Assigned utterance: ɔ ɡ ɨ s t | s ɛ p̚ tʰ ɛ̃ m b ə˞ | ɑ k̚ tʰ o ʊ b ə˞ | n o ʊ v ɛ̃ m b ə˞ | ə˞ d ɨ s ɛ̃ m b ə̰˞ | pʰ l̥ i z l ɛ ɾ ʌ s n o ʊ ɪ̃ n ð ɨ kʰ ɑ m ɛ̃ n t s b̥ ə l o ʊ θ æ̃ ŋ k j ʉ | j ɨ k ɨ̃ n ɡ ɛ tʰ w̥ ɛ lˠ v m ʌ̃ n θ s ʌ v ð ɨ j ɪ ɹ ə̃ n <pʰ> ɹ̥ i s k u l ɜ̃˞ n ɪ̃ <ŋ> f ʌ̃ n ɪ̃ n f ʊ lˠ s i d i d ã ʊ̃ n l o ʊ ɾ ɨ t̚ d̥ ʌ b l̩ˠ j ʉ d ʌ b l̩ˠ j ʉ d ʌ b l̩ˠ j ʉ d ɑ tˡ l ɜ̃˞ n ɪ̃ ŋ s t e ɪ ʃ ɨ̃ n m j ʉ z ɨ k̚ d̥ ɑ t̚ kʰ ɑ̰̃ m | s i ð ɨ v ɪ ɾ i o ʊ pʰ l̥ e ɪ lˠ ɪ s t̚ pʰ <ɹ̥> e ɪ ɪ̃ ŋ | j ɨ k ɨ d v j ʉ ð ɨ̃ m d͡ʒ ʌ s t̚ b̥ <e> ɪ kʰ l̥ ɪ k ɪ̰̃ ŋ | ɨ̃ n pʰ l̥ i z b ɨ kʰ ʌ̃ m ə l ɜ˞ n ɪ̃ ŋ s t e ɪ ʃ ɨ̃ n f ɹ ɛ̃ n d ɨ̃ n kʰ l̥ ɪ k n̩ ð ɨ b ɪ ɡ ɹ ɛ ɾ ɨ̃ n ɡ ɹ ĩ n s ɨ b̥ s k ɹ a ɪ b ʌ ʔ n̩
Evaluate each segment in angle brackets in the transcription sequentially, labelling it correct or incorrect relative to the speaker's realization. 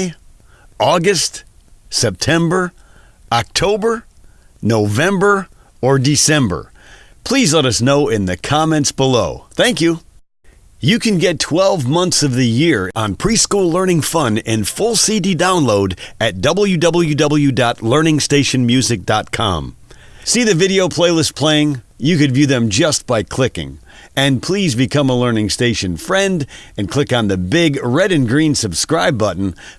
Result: correct, correct, incorrect: l̥, incorrect: a

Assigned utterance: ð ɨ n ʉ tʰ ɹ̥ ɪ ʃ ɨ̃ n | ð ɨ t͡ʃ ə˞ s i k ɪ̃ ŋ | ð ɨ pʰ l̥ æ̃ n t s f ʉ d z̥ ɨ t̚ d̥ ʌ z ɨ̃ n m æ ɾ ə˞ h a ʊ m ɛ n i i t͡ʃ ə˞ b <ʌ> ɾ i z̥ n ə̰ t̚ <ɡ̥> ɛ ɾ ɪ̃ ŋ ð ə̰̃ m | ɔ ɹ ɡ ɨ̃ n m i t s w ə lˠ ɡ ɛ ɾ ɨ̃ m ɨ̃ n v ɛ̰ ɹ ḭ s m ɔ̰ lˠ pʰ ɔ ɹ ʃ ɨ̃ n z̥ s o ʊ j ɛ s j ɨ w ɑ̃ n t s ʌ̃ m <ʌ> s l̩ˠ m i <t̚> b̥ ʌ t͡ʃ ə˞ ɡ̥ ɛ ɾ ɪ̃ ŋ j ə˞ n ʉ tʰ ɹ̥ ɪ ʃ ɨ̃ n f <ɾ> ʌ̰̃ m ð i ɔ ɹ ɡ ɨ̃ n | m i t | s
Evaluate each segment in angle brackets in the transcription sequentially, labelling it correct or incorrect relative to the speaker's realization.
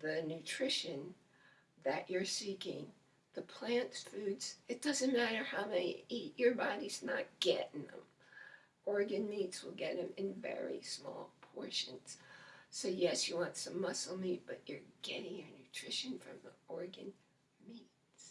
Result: incorrect: ɑ, correct, correct, correct, incorrect: ɹ

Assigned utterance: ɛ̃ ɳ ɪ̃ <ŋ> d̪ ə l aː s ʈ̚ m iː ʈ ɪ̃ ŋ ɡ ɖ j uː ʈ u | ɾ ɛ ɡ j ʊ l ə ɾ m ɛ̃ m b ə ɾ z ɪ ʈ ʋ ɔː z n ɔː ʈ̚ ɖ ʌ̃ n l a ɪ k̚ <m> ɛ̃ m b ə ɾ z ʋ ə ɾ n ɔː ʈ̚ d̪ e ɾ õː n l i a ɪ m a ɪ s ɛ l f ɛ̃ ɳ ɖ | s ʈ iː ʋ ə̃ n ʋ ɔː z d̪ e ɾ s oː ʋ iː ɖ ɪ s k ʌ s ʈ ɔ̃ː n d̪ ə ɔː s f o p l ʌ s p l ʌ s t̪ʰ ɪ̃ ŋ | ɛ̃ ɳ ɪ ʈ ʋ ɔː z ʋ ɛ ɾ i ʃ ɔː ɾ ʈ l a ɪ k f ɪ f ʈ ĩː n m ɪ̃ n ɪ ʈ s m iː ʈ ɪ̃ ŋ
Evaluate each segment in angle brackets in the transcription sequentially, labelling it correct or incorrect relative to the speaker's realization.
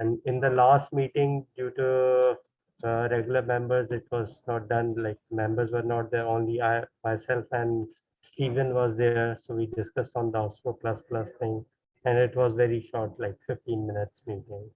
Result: incorrect: n, correct

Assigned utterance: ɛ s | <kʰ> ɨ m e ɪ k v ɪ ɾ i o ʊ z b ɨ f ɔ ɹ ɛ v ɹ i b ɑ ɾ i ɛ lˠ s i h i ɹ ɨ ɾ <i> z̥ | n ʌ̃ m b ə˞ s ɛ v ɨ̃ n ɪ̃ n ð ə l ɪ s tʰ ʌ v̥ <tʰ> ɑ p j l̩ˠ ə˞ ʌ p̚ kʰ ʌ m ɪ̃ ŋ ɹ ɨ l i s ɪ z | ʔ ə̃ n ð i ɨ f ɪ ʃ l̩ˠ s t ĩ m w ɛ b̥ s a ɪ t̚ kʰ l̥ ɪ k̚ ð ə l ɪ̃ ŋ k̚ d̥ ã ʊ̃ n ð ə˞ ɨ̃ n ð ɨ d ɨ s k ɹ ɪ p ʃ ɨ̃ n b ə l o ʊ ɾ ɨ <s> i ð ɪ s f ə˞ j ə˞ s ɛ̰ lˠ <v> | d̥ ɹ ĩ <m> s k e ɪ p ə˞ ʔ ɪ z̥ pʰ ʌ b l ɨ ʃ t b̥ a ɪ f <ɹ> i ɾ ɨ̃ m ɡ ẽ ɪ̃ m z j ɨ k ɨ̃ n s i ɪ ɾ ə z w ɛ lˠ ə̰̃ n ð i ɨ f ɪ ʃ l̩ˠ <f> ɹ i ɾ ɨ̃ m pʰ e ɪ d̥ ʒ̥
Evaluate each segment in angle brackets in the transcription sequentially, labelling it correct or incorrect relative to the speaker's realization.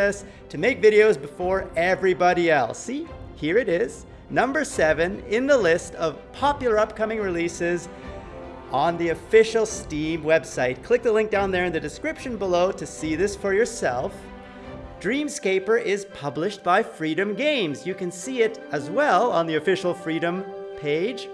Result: incorrect: tʰ, incorrect: ɪ, incorrect: pʰ, correct, incorrect: f, correct, correct, correct

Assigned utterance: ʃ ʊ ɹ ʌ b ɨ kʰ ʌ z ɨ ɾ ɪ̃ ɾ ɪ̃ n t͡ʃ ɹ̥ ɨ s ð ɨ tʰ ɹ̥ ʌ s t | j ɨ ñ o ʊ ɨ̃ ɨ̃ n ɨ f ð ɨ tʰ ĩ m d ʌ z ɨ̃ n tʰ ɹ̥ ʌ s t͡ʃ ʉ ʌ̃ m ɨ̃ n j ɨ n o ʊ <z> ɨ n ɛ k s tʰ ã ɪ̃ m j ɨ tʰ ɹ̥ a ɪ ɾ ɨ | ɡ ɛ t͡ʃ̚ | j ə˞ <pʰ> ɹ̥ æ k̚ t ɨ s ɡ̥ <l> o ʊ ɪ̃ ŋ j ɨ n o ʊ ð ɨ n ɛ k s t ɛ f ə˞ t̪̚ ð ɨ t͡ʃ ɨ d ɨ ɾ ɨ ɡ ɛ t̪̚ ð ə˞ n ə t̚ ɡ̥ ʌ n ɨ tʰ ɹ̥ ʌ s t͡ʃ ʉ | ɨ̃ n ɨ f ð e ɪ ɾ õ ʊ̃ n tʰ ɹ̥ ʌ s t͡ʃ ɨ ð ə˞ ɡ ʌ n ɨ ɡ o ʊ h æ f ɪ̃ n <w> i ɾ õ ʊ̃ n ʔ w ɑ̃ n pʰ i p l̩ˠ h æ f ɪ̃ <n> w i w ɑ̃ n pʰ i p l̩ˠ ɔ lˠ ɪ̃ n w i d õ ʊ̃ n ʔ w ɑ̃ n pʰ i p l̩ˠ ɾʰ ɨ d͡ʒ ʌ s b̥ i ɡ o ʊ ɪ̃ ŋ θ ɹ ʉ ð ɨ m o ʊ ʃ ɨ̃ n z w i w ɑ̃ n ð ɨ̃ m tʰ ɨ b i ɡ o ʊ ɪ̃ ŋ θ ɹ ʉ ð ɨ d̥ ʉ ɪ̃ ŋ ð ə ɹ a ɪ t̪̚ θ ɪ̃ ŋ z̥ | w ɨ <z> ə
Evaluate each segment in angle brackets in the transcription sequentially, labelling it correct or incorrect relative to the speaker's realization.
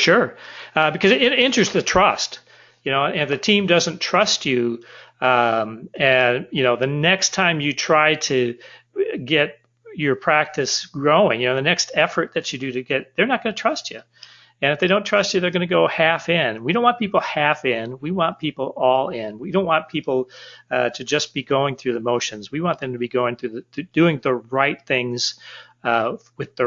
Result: incorrect: ð, correct, incorrect: ɹ, correct, correct, incorrect: ð

